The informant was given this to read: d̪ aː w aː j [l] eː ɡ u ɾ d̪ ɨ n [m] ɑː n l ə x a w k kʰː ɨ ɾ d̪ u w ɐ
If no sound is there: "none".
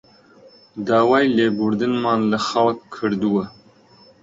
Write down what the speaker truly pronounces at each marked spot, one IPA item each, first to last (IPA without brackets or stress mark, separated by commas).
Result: l, m